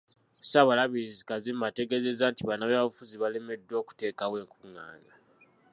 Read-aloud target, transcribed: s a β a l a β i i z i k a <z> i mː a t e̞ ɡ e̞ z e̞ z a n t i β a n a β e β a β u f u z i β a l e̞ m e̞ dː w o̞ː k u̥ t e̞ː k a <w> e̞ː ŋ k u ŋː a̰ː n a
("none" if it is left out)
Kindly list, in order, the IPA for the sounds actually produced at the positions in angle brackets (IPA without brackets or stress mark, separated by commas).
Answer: z, w